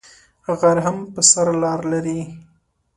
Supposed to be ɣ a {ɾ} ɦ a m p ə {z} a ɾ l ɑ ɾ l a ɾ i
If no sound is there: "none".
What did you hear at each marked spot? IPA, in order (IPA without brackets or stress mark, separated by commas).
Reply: ɾ, s